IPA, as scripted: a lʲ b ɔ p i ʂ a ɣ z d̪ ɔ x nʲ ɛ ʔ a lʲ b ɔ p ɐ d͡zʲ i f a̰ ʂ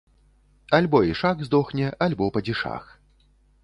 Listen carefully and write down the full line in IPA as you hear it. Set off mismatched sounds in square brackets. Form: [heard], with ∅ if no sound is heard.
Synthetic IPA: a lʲ b ɔ [∅] i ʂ a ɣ z d̪ ɔ x nʲ ɛ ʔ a lʲ b ɔ p ɐ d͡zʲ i [ʂ] a̰ [x]